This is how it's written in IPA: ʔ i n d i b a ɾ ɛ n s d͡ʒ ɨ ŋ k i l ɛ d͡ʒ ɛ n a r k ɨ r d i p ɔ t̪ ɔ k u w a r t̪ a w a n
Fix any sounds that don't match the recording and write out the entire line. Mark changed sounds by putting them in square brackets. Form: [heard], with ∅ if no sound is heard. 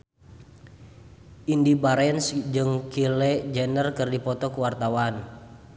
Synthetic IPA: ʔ i n d i b a ɾ ɛ n s d͡ʒ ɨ ŋ k i l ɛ d͡ʒ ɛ n [ə] r k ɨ r d i p ɔ t̪ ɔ k u w a r t̪ a w a n